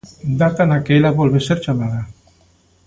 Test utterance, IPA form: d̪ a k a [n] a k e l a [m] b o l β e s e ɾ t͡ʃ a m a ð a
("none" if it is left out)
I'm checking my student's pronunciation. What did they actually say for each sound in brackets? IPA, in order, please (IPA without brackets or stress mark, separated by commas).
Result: n, none